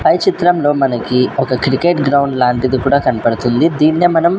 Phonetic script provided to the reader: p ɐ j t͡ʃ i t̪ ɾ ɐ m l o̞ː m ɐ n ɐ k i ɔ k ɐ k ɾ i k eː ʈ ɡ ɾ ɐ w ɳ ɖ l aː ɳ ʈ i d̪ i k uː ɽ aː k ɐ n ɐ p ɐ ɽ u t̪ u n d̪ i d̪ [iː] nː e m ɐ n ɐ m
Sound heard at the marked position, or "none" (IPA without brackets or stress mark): iː